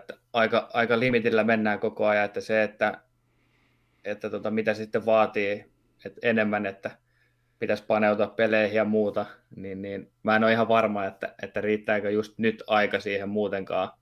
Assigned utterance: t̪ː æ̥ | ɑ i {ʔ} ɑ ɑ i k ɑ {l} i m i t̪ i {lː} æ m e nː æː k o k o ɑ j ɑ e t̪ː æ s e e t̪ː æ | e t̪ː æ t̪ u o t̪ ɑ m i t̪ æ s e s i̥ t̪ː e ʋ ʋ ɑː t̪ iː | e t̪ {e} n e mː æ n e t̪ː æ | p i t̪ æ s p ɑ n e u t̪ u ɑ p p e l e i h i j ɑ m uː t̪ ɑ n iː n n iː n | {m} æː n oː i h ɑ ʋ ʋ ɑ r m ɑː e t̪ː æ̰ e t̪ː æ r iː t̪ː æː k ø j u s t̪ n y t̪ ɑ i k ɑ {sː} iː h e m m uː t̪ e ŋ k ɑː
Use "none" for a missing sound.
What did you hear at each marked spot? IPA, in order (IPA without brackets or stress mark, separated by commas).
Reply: k, l, lː, e, m, s